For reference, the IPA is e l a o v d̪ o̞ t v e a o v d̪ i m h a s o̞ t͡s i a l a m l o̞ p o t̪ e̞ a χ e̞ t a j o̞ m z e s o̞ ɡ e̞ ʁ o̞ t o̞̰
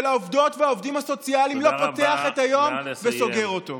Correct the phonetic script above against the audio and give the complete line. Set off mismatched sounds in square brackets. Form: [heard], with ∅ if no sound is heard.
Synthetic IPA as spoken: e l a o v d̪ o̞ t v e a o v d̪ i m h a s o̞ t͡s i a l [i] m l o̞ p o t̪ e̞ a χ e̞ t a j o̞ m [v] e s o̞ ɡ e̞ ʁ o̞ t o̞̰